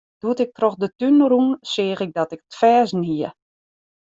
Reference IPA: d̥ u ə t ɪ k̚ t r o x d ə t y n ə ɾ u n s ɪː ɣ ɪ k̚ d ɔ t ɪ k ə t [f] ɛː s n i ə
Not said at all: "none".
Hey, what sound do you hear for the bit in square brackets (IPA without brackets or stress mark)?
f